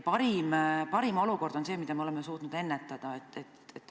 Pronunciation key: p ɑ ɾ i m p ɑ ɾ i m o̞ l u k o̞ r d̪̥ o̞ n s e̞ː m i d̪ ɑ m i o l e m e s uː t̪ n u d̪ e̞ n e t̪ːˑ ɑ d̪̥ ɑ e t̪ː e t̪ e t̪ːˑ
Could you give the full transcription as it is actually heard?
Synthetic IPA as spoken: p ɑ ɾ i m p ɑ ɾ i m o̞ l u k o̞ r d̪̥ o̞ n s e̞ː m i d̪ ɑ m e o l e m e s uː t̪ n u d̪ e̞ nː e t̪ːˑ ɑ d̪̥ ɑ e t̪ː e t̪ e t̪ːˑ